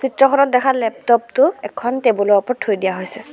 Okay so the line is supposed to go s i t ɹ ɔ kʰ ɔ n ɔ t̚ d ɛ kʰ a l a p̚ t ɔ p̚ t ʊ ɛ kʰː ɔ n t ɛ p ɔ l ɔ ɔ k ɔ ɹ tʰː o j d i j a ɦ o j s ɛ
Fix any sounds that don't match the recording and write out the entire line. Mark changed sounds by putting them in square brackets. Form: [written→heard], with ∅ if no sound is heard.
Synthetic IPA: s i t ɹ ɔ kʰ ɔ n ɔ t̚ d ɛ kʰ a l [a→ɛ] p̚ t ɔ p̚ t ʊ ɛ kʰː ɔ n t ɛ [p→b] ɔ l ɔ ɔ [k→p] ɔ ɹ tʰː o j d i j a ɦ o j s ɛ